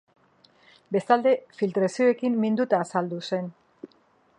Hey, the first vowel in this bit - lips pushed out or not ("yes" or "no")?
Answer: no